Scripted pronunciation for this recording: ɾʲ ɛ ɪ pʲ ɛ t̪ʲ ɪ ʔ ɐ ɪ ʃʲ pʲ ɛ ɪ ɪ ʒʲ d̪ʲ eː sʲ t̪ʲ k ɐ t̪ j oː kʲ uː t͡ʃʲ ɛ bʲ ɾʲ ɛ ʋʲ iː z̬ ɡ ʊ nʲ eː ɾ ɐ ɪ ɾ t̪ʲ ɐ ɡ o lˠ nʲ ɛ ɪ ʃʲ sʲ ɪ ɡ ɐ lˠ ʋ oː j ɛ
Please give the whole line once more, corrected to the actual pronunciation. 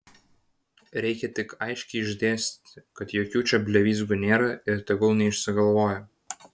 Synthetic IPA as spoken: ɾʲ ɛ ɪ kʲ ɛ t̪ʲ ɪ k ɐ ɪ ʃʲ kʲ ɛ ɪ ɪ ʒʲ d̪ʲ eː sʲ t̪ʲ k ɐ t̪ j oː kʲ uː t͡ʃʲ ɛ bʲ lʲ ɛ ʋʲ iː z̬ ɡ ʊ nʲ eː ɾ ɐ ɪ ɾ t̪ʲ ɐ ɡ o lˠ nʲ ɛ ɪ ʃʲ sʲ ɪ ɡ ɐ lˠ ʋ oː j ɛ